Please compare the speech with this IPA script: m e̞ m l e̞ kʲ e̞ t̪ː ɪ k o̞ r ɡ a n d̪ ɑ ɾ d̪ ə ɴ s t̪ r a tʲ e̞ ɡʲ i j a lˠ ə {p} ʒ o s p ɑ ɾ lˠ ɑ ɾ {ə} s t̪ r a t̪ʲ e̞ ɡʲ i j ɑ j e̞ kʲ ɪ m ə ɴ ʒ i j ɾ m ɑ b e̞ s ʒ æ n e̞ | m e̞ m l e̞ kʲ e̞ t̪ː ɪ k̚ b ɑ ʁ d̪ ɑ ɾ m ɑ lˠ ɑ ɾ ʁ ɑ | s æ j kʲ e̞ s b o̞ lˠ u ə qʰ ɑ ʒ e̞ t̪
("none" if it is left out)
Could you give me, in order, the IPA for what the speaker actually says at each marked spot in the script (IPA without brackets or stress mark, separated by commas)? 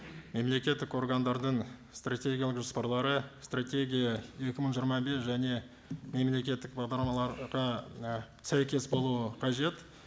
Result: q, ə